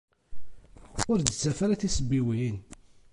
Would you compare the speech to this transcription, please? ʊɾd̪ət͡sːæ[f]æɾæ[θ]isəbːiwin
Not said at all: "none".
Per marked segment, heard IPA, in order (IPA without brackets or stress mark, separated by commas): f, θ